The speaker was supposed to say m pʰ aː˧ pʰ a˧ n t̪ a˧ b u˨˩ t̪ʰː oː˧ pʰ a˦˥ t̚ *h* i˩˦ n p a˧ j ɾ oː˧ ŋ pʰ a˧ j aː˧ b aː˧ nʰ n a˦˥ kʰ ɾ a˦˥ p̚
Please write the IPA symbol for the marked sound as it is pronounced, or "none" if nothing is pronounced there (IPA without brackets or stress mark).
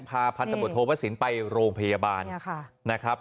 s